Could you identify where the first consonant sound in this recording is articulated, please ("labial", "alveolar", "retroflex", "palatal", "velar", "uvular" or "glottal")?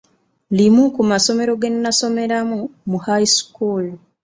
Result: alveolar